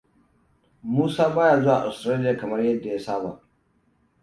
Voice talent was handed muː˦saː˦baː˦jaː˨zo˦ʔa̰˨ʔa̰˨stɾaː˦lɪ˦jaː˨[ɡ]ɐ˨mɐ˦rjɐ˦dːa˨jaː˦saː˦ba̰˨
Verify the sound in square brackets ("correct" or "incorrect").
incorrect